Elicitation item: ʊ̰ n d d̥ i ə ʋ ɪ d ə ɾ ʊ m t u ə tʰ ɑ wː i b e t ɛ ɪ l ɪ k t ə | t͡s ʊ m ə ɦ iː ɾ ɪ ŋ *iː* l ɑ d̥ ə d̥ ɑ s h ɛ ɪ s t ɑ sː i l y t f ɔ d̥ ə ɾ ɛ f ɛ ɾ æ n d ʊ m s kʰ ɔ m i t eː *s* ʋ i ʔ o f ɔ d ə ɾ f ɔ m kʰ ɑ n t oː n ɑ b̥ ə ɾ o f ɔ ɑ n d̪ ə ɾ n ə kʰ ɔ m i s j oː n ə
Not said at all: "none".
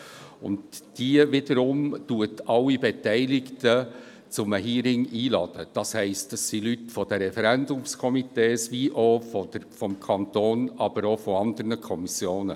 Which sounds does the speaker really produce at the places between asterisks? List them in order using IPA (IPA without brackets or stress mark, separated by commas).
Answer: iː, s